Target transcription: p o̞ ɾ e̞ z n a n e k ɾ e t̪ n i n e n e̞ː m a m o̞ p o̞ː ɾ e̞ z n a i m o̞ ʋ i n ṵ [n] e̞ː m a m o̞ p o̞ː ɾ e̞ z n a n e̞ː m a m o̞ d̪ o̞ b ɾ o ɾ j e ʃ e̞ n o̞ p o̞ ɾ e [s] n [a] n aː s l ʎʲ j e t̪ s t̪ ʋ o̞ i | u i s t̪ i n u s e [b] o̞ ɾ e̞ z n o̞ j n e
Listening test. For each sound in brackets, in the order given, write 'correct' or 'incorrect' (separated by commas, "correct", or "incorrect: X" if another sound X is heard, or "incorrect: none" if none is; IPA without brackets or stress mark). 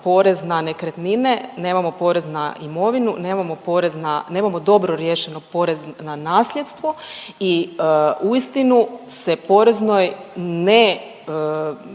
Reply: correct, incorrect: z, correct, incorrect: p